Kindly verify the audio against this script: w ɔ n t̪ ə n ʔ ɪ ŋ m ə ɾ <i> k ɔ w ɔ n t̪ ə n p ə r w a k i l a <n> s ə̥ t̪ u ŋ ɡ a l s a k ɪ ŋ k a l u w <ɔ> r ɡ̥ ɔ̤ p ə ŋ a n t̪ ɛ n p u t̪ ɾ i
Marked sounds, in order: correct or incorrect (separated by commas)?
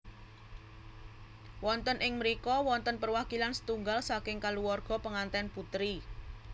correct, correct, correct